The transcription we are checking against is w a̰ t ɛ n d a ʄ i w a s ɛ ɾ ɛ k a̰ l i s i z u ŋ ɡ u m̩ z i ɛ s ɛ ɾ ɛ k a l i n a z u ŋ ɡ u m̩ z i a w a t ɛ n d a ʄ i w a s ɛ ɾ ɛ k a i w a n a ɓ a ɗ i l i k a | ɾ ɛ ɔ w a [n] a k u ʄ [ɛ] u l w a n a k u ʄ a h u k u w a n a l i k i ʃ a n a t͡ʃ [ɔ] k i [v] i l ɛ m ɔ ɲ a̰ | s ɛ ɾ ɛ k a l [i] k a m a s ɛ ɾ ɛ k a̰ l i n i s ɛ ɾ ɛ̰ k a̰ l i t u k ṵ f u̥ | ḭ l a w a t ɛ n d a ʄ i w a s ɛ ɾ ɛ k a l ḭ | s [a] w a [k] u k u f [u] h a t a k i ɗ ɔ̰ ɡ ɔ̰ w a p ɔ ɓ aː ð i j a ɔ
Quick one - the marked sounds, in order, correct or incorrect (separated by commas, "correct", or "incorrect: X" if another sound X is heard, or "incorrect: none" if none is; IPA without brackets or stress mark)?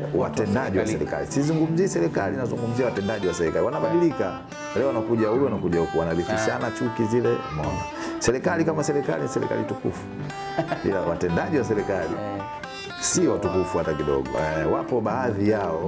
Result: correct, incorrect: a, incorrect: u, incorrect: z, correct, incorrect: i, incorrect: t, correct